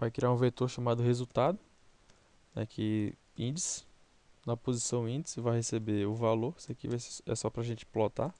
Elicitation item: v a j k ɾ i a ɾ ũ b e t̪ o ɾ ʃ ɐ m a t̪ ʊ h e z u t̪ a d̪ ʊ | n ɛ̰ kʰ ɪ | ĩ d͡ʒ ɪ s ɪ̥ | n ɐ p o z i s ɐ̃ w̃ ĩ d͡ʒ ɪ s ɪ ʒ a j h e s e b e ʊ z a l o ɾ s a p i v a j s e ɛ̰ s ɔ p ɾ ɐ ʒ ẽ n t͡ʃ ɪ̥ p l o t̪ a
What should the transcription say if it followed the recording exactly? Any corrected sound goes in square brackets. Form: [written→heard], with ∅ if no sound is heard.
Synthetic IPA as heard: v a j k ɾ i a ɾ ũ [b→v] e t̪ o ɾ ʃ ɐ m a [t̪→d̪] ʊ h e z u t̪ a d̪ ʊ | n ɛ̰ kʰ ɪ | ĩ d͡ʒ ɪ s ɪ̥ | n ɐ p o z i s ɐ̃ w̃ ĩ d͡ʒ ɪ s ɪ [ʒ→v] a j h e s e b e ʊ [z→v] a l o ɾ s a [p→k] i v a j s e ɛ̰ s ɔ p ɾ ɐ ʒ ẽ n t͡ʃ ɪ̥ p l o t̪ a